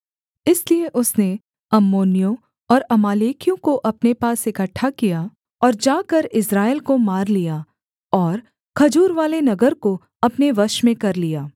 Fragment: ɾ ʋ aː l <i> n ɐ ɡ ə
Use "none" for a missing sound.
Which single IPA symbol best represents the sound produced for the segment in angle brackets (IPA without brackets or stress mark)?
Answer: e